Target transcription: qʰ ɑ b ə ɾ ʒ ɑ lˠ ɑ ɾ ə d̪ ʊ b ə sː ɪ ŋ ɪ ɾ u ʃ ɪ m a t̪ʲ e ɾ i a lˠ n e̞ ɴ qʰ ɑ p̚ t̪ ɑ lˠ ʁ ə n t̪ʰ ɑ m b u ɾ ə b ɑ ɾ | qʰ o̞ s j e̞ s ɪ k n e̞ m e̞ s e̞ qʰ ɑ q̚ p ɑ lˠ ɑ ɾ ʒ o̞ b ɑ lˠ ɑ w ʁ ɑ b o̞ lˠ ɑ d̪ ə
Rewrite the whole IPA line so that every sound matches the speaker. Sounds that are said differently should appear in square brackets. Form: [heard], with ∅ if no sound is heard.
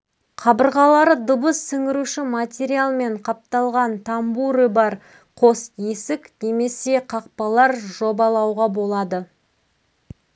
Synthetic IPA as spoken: qʰ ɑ b ə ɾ [ʁ] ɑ lˠ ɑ ɾ ə d̪ ʊ b ə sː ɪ ŋ ɪ ɾ u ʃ ɪ m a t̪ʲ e ɾ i a lˠ [m] e̞ ɴ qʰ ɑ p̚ t̪ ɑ lˠ ʁ [ɑ] n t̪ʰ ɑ m b u ɾ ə b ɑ ɾ | qʰ o̞ s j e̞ s ɪ k n e̞ m e̞ s e̞ qʰ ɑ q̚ p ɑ lˠ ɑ ɾ ʒ o̞ b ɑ lˠ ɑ w ʁ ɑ b o̞ lˠ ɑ d̪ ə